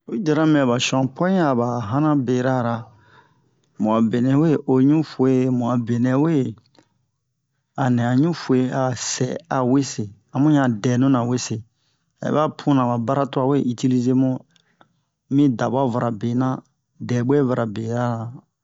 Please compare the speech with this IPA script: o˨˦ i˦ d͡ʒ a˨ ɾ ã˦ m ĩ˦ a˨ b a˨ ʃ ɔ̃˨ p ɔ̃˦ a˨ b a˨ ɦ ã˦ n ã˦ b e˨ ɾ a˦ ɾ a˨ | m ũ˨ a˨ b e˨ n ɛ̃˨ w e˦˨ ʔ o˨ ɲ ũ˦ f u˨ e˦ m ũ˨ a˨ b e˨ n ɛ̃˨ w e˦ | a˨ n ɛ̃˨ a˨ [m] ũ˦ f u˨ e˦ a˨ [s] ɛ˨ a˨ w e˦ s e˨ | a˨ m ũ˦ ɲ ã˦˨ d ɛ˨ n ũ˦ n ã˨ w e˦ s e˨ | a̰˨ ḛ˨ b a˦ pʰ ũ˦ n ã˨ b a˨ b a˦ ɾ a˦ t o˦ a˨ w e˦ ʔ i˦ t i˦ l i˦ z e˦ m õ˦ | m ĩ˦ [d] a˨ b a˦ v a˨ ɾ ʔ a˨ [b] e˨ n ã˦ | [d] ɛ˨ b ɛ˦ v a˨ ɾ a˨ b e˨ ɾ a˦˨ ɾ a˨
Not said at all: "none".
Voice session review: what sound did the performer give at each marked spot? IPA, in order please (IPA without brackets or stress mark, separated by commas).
ɲ, s, d, b, d